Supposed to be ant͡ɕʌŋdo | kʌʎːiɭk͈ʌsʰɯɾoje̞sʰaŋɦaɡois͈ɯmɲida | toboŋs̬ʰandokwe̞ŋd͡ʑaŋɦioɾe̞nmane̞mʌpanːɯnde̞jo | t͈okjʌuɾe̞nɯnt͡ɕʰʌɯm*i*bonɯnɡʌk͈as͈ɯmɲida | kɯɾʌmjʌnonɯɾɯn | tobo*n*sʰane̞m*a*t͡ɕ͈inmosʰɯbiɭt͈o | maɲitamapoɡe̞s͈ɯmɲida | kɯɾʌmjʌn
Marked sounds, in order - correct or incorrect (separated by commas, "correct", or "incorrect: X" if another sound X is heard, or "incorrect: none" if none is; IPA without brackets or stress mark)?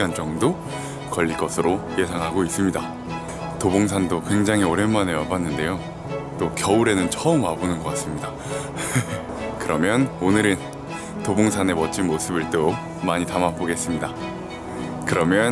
incorrect: a, incorrect: ŋ, incorrect: ʌ